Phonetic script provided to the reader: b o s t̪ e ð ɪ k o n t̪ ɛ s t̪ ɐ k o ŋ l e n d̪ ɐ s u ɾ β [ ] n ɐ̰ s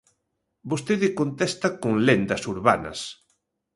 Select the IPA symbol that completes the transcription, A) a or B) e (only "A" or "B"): A